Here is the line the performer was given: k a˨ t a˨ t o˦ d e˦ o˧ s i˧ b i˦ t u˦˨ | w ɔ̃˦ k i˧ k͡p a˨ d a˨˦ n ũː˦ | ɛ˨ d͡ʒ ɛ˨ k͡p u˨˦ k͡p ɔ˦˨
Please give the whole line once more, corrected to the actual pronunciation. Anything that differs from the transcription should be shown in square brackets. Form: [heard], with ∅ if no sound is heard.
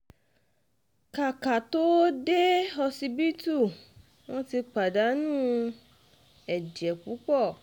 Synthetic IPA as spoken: k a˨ [k] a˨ t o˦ d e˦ [ɔ˧] s i˧ b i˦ t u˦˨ | w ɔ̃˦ [t] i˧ k͡p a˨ d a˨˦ n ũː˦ | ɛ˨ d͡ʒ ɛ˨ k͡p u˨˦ k͡p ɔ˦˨

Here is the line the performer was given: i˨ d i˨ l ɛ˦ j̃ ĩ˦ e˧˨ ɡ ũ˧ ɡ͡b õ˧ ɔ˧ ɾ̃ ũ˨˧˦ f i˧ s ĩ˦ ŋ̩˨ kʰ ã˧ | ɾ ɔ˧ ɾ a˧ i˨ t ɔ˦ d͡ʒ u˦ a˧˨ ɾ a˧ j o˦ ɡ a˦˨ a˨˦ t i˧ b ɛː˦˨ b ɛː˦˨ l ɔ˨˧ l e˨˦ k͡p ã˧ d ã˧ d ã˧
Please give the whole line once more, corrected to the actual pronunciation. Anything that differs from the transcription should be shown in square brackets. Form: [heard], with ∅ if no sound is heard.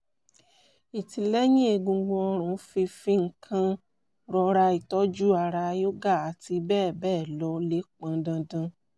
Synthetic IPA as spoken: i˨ [t] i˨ l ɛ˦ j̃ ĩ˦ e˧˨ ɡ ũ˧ ɡ͡b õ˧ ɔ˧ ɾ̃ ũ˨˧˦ f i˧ [f] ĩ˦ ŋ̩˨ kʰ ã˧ | ɾ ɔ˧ ɾ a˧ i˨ t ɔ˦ d͡ʒ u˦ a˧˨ ɾ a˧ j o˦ ɡ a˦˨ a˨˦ t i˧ b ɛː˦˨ b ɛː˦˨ l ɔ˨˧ l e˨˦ k͡p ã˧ d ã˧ d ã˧

